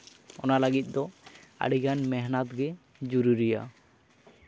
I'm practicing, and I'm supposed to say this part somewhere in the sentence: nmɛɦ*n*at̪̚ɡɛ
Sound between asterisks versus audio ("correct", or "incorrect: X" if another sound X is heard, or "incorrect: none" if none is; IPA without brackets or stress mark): correct